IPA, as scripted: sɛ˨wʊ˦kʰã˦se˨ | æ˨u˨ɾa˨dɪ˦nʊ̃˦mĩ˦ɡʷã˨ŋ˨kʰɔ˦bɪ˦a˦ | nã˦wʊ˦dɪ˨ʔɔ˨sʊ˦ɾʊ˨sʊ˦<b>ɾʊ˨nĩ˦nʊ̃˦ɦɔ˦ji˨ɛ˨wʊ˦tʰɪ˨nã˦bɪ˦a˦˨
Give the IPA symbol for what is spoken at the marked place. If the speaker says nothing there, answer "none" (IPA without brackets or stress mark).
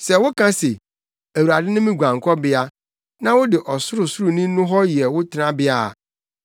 none